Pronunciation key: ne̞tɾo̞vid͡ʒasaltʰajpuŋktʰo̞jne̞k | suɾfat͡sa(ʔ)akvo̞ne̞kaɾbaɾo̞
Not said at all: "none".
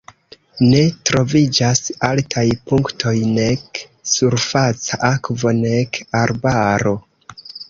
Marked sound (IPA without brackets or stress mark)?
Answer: ʔ